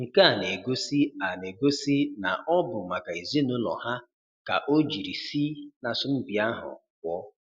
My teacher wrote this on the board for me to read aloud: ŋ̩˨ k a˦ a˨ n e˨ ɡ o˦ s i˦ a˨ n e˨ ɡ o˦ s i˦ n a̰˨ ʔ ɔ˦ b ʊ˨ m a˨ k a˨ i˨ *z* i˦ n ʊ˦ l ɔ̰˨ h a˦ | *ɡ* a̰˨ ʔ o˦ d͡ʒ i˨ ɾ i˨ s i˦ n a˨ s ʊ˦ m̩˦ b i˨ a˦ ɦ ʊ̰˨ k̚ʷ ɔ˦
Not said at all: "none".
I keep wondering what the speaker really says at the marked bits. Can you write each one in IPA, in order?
z, k

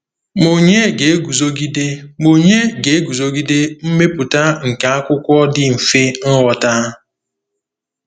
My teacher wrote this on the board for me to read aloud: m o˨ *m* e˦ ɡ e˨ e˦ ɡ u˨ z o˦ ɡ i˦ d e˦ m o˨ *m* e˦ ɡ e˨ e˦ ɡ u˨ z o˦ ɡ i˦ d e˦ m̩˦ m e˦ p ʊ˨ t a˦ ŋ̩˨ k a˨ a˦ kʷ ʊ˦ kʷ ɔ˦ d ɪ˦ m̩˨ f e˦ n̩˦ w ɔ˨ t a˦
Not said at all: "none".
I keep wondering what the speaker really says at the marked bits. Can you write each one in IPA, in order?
ɲ, ɲ

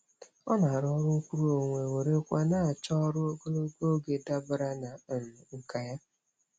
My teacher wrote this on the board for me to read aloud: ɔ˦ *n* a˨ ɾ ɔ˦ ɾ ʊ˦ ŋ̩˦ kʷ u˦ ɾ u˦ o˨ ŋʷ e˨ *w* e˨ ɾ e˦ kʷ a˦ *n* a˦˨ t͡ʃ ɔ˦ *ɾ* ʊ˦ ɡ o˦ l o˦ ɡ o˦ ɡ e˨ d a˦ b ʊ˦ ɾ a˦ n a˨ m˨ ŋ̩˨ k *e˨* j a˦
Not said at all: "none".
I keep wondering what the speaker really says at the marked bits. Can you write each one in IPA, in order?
n, w, n, ɾ, a˨

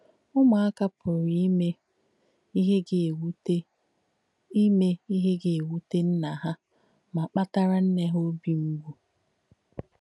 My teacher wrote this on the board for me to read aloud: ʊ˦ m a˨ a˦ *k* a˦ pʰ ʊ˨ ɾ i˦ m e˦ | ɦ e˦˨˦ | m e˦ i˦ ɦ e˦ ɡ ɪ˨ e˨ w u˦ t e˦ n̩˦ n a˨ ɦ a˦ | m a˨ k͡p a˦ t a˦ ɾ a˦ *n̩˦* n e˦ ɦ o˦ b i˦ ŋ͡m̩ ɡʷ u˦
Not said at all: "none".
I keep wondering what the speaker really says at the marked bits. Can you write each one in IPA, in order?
k, n̩˦

